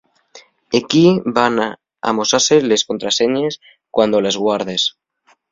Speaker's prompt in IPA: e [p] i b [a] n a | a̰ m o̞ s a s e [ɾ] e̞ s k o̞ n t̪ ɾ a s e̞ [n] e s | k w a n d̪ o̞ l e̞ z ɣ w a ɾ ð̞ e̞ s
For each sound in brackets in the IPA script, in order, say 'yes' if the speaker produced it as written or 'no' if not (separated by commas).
no, yes, no, no